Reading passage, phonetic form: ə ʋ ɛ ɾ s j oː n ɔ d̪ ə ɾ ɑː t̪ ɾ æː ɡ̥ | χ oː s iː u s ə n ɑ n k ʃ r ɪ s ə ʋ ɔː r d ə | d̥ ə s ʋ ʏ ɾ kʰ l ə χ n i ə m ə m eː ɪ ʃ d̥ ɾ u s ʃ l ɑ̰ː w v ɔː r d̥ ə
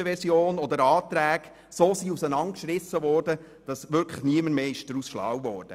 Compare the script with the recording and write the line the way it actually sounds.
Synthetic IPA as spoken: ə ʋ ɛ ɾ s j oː n ɔ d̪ ə ɾ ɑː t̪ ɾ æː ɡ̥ | s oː s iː u s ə n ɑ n k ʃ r ɪ s ə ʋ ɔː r d ə | d̥ ɑ s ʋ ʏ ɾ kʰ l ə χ n i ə m ə m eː ɪ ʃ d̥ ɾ u s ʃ l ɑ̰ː w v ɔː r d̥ ə

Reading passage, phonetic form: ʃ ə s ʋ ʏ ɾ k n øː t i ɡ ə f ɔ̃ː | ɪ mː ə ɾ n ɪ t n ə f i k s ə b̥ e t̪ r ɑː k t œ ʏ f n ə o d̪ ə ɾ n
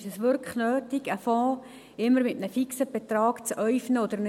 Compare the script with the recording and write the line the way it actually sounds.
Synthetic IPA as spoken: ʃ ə s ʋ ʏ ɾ k n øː t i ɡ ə f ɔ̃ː | ɪ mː ə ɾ m ɪ t n ə f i k s ə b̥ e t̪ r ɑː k t͡s œ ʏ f n ə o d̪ ə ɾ n

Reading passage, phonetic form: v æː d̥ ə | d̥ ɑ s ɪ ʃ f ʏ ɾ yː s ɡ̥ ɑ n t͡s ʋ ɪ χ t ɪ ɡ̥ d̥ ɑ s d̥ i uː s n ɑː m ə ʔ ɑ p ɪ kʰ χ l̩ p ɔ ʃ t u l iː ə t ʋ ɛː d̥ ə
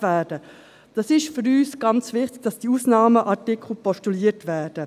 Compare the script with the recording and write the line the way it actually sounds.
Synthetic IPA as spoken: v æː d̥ ə | d̥ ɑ s ɪ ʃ f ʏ ɾ yː s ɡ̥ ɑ n t͡s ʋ ɪ χ t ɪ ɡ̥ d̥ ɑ s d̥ i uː s n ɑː m ə ʔ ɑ t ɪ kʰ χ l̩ p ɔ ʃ t u l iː ə t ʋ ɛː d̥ ə

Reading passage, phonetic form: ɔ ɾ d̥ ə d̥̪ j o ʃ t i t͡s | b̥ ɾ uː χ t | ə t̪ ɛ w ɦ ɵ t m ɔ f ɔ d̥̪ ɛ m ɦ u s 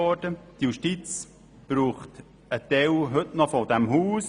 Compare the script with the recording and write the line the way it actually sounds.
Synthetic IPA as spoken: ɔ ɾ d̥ ə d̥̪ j u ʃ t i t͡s | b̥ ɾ uː χ t | ə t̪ ɛ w ɦ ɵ t n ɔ f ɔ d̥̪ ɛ m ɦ uː s

